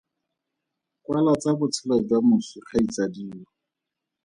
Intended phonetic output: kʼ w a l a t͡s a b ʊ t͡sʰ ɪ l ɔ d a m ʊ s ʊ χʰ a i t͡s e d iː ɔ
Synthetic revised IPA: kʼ w a l a t͡s a b ʊ t͡sʰ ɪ l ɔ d a m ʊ s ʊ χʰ a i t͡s a d iː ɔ